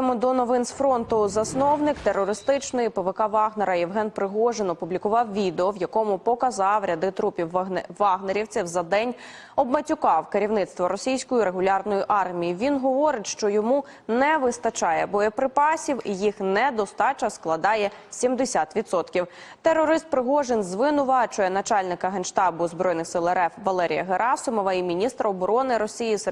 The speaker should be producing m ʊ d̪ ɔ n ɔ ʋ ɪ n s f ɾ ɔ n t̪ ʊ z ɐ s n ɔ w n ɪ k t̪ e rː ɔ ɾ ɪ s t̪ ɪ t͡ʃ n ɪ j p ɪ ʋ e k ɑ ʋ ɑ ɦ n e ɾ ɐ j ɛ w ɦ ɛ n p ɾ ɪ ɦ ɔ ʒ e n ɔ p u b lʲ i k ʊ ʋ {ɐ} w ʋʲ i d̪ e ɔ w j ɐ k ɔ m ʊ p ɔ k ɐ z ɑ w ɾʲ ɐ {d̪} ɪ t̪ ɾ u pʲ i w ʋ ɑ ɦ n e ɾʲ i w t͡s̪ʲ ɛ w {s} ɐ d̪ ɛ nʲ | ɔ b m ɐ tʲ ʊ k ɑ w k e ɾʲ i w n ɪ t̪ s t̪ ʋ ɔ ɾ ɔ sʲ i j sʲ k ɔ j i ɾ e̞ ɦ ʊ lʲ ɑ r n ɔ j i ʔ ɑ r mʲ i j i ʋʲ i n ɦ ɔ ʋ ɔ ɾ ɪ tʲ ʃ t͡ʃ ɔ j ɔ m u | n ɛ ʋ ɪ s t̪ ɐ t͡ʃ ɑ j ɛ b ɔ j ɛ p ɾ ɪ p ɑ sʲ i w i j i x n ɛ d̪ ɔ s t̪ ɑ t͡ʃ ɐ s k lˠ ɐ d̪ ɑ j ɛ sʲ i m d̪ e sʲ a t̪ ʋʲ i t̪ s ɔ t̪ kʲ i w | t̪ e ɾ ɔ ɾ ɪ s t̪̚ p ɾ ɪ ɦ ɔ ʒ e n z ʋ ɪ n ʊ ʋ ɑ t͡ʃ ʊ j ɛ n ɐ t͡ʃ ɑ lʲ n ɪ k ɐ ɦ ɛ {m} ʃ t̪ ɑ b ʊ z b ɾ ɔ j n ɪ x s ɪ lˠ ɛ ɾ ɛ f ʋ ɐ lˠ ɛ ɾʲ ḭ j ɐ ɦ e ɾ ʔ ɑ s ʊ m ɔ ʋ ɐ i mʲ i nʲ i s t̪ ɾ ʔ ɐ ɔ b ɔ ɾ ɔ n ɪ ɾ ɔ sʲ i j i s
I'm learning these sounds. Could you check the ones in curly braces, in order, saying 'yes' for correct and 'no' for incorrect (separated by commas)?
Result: no, yes, no, no